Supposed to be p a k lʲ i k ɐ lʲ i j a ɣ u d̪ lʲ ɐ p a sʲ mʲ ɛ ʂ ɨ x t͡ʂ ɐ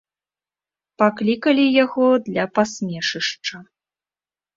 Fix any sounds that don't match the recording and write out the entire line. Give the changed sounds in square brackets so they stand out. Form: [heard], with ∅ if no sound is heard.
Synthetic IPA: p a k lʲ i k ɐ lʲ i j a ɣ [ɔ] d̪ lʲ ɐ p a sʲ mʲ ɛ ʂ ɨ [ʂ] t͡ʂ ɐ